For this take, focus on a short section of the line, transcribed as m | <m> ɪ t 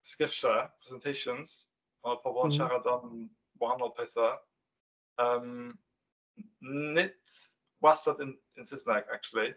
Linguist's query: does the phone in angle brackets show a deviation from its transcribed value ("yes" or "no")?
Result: yes